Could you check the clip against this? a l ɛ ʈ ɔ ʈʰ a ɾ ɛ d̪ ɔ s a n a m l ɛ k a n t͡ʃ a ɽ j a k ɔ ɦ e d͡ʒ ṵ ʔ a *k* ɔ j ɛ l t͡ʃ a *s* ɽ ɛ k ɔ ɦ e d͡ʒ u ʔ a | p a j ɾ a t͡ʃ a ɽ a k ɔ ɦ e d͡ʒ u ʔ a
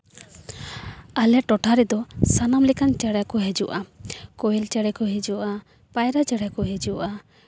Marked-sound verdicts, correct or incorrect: correct, incorrect

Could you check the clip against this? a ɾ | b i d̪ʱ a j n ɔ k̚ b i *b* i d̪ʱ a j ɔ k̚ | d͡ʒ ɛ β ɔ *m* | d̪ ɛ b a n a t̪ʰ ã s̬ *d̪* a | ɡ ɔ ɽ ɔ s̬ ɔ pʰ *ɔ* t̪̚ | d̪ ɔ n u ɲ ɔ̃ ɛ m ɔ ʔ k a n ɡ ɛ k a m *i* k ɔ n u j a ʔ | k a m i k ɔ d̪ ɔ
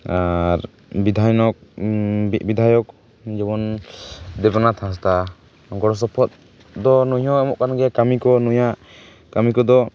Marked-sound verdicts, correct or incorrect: correct, incorrect, incorrect, correct, correct

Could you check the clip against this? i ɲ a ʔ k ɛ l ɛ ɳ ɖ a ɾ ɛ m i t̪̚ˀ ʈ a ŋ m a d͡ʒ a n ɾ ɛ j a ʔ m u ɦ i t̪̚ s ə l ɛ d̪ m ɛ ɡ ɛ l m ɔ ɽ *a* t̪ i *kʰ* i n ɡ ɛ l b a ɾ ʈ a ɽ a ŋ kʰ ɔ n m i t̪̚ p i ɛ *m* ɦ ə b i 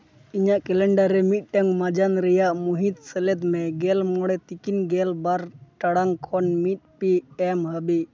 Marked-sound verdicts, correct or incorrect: incorrect, incorrect, correct

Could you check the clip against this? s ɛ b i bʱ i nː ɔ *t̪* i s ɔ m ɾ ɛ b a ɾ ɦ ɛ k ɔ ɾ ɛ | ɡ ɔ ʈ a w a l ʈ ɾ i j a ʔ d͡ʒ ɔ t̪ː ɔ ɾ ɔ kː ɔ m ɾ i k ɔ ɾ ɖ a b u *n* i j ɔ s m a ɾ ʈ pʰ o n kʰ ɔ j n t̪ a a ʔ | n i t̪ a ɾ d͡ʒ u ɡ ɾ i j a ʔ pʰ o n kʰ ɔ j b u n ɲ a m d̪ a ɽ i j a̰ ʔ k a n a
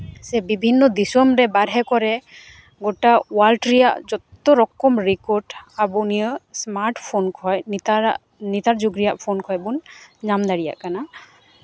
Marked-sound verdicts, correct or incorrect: incorrect, correct

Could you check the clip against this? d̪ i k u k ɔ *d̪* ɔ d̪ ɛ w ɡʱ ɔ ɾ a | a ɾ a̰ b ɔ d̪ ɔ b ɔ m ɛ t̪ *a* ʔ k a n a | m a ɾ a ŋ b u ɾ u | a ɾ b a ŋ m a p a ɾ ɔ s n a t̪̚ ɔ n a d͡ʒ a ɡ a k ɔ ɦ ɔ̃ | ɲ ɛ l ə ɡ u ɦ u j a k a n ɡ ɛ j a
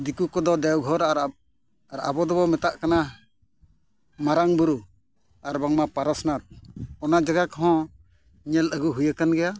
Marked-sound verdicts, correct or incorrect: correct, correct

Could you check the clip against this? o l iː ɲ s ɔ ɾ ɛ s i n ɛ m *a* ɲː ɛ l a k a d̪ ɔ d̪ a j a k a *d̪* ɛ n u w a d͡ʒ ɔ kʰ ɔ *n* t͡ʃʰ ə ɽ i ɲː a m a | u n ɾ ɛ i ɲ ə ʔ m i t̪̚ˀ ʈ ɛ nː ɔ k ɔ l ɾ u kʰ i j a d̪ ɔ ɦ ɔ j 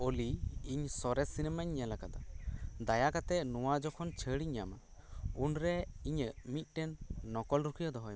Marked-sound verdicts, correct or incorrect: correct, incorrect, correct

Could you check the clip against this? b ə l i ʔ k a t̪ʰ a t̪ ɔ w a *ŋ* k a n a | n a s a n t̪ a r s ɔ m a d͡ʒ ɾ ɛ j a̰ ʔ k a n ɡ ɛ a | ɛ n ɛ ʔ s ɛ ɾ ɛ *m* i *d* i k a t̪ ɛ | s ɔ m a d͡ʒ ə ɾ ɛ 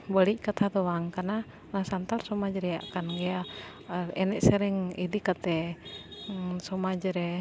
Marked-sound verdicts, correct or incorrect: correct, incorrect, correct

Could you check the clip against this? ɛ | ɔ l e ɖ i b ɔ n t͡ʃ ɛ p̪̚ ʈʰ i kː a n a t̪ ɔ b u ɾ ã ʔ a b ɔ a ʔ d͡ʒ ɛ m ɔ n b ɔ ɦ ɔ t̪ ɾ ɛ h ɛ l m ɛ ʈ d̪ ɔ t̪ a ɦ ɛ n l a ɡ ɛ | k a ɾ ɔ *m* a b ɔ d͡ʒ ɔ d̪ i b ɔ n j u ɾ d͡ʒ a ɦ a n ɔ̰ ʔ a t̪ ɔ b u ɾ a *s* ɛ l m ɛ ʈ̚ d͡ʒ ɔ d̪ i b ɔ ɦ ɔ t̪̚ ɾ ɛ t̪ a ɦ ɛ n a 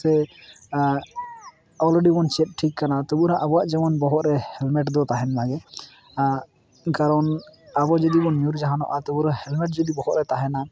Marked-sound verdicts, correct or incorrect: incorrect, incorrect

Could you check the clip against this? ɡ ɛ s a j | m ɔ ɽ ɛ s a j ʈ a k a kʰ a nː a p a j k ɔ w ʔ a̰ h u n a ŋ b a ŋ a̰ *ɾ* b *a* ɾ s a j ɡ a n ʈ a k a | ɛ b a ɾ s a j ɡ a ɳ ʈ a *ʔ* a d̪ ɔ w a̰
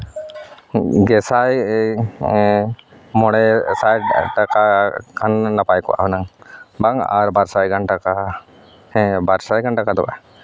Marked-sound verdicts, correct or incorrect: correct, correct, incorrect

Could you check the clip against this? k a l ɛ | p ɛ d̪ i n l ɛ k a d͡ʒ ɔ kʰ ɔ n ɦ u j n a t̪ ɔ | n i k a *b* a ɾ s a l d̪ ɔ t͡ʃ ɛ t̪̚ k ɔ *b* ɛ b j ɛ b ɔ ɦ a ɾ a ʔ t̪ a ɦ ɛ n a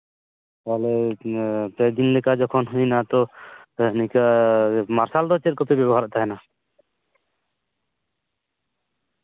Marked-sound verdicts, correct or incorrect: incorrect, incorrect

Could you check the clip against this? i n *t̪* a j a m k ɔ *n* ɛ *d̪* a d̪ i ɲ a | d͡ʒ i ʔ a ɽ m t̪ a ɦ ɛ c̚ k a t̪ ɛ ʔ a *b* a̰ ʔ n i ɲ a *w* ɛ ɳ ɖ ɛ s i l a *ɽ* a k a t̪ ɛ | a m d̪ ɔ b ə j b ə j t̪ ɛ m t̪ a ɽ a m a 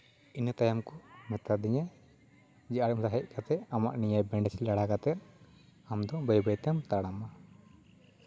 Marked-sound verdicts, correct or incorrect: correct, incorrect, incorrect, incorrect, incorrect, correct

